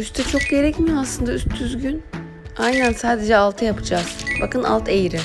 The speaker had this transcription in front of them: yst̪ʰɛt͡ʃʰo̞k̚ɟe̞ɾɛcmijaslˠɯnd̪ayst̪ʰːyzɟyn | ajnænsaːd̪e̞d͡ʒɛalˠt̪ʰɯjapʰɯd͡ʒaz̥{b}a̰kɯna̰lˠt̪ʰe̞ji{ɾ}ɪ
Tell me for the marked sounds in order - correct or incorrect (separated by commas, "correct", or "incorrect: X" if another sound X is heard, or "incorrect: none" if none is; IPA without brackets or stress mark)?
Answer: correct, correct